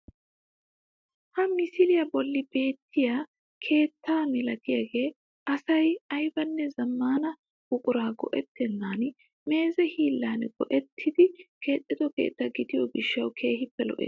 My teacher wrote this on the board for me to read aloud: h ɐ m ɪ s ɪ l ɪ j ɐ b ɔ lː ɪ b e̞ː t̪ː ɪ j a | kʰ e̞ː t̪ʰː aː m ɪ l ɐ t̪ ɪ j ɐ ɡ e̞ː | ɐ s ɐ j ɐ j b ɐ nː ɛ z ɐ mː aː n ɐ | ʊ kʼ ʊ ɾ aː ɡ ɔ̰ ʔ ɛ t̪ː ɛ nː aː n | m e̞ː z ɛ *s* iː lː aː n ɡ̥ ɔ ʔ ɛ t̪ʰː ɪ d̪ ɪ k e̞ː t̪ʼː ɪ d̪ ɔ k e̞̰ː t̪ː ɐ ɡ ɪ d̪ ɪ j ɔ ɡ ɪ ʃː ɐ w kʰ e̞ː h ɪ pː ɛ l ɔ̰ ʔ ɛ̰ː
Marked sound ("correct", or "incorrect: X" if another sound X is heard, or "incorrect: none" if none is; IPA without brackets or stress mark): incorrect: h